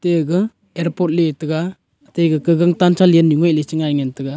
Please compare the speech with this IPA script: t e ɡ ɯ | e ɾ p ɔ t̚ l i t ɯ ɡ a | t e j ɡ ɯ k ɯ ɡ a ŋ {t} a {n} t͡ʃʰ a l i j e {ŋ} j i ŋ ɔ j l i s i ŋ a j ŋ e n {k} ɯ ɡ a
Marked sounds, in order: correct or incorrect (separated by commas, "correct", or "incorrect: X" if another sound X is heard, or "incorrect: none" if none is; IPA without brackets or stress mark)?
correct, correct, incorrect: n, incorrect: t